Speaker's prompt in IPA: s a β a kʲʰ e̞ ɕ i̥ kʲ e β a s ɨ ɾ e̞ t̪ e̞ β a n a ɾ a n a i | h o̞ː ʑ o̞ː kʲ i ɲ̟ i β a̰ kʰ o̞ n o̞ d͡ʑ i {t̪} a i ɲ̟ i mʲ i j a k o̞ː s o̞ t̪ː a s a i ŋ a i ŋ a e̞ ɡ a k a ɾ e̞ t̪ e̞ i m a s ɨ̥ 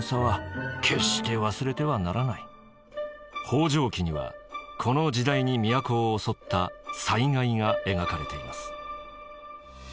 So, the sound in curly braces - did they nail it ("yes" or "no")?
no